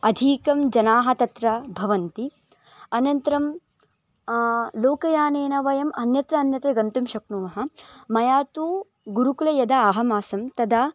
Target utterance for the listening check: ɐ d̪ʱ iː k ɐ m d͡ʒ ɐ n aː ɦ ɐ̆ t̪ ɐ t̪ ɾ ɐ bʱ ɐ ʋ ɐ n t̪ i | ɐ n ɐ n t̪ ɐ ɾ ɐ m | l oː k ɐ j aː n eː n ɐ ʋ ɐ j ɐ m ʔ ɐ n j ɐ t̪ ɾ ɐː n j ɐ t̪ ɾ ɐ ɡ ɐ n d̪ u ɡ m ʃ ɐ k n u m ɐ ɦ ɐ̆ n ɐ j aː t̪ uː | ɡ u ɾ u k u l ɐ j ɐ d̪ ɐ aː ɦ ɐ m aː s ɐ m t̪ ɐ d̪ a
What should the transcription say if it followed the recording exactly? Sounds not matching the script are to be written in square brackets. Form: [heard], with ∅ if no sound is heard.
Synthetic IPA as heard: ɐ d̪ʱ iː k ɐ m d͡ʒ ɐ n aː ɦ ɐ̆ t̪ ɐ t̪ ɾ ɐ bʱ ɐ ʋ ɐ n t̪ i | ɐ n ɐ n t̪ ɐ ɾ ɐ m | l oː k ɐ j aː n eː n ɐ ʋ ɐ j ɐ m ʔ ɐ n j ɐ t̪ ɾ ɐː n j ɐ t̪ ɾ ɐ ɡ ɐ n [t̪] u [∅] m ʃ ɐ k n u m ɐ ɦ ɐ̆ [m] ɐ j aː t̪ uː | ɡ u ɾ u k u l ɐ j ɐ d̪ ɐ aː ɦ ɐ m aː s ɐ m t̪ ɐ d̪ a